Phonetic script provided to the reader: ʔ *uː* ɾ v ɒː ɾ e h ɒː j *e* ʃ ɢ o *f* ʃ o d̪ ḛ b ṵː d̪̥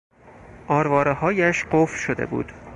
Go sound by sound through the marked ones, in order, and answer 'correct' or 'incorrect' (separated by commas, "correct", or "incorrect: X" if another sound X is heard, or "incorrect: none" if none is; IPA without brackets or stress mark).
incorrect: ɒː, incorrect: æ, correct